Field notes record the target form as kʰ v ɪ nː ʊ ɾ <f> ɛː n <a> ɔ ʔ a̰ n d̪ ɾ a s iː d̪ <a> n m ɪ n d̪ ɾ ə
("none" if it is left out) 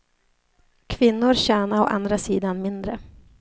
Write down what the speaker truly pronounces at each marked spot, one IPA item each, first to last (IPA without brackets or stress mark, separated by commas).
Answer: ɕ, a, a